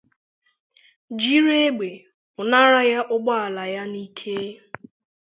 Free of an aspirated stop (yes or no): no